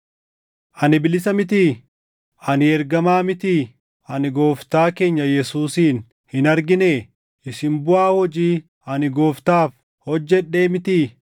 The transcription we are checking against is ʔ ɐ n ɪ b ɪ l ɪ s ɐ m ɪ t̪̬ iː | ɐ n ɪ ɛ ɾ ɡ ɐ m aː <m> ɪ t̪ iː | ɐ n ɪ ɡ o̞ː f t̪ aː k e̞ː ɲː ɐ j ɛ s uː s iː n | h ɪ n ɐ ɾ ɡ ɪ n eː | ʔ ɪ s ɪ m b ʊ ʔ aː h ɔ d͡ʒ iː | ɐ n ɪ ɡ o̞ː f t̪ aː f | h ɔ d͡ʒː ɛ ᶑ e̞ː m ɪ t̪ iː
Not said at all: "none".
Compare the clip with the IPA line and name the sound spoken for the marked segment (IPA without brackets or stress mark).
m